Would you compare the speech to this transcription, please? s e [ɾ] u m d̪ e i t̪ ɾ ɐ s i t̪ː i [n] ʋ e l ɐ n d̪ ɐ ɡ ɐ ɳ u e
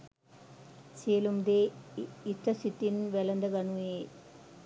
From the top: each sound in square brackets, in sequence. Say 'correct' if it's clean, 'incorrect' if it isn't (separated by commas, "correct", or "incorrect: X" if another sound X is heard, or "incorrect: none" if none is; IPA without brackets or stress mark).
incorrect: l, correct